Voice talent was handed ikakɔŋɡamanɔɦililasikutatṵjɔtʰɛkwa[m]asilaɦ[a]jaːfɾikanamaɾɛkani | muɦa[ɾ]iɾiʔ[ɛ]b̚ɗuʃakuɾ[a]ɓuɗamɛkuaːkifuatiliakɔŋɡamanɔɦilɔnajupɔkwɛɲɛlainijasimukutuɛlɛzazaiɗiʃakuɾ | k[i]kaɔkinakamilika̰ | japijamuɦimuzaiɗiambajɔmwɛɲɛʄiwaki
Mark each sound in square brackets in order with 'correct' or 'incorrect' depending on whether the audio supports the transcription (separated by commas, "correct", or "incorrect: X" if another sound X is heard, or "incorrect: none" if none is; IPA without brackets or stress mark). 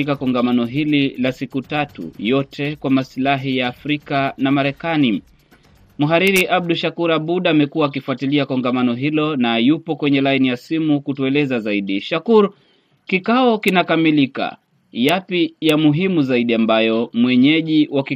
correct, incorrect: i, correct, incorrect: a, correct, correct